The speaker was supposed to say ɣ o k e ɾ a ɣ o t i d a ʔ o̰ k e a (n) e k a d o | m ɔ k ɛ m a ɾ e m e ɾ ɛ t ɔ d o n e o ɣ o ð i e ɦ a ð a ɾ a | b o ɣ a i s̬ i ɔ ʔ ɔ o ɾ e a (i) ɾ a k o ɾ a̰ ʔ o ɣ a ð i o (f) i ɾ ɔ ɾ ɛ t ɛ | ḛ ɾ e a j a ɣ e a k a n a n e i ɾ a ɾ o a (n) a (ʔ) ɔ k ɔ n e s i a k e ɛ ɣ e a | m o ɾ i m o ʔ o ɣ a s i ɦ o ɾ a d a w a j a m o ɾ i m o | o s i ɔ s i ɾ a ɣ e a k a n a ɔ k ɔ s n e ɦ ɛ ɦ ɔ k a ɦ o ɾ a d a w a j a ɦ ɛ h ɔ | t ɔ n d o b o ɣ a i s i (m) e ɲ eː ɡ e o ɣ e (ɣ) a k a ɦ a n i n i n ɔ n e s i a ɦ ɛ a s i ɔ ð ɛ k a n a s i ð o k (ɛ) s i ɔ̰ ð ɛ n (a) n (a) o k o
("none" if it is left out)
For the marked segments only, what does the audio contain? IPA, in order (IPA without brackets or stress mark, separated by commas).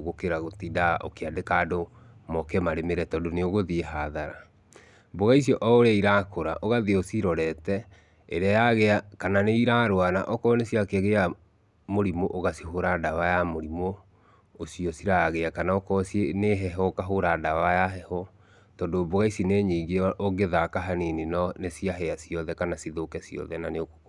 d, i, s, n, ʔ, n, ð, ɛ, a, e